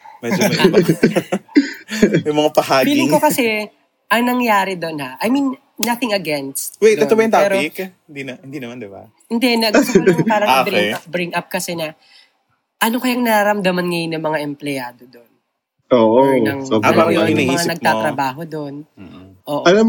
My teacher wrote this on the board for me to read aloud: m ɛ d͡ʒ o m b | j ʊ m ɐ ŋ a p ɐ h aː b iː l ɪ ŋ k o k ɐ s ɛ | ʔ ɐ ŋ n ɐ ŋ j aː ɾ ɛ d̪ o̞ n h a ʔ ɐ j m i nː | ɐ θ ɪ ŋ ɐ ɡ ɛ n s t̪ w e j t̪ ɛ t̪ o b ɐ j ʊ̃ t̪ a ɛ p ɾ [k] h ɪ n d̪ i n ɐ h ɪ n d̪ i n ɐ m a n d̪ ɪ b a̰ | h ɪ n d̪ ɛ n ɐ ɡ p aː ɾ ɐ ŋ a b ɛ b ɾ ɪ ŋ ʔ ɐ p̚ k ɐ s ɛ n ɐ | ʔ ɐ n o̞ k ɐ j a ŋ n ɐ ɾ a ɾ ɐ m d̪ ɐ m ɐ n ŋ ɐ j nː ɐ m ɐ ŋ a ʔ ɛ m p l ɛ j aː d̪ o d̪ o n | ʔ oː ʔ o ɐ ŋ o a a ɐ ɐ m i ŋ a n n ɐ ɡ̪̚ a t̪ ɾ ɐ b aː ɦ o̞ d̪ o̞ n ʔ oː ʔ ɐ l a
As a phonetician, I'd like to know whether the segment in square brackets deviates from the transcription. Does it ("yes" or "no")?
no